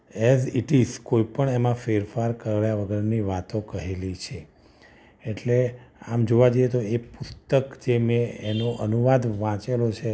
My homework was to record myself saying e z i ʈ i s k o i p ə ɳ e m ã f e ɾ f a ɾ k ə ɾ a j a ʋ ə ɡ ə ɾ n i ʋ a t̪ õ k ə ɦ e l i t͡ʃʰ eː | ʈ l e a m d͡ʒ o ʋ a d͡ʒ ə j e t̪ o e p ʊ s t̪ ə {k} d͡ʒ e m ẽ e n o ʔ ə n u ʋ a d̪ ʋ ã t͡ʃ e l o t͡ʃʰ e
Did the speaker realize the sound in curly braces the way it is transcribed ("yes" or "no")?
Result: yes